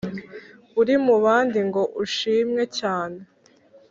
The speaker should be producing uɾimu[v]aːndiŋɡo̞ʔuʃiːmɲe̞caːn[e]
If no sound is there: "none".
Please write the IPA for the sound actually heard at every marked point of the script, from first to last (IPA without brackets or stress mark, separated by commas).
β, e